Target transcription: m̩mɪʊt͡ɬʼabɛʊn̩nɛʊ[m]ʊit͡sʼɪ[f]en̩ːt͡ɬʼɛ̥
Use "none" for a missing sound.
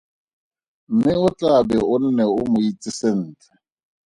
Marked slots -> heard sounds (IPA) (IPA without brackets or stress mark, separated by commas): m, s